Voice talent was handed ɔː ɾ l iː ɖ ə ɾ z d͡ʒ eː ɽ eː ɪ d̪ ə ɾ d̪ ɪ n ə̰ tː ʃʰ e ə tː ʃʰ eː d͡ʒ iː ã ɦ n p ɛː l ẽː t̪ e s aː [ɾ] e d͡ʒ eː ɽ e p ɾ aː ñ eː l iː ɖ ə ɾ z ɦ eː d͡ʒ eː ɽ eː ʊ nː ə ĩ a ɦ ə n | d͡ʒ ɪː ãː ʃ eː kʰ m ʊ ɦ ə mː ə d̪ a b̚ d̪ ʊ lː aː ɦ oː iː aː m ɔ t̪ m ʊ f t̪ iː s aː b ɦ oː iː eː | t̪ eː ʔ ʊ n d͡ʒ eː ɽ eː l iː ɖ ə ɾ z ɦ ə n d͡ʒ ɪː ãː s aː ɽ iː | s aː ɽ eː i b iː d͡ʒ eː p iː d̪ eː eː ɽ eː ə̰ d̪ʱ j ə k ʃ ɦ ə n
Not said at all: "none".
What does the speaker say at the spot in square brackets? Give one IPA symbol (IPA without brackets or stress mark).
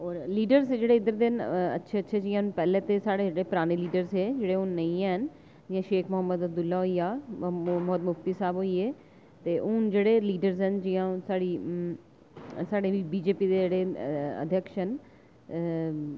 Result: ɽ